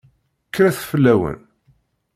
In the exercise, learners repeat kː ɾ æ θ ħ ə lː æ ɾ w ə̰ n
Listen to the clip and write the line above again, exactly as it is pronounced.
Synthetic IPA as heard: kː ɾ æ θ f ə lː æ w ə̰ n